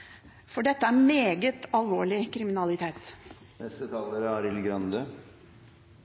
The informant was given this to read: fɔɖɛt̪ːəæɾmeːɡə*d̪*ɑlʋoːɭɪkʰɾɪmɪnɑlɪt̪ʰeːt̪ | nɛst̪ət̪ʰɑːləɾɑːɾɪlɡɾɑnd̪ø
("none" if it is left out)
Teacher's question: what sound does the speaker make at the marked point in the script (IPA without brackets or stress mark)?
t̪